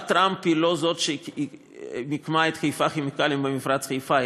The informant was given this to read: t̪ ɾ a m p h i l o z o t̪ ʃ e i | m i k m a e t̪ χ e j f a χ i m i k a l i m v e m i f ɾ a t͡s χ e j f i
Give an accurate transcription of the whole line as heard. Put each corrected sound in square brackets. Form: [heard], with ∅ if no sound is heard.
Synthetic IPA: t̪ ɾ a m p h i l o z o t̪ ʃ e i | m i k m a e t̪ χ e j f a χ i m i k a l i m [b] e m i f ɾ a t͡s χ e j f [a]